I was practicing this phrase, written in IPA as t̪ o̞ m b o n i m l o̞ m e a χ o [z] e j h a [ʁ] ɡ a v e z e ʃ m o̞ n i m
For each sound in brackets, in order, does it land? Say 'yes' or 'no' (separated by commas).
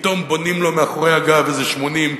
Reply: no, no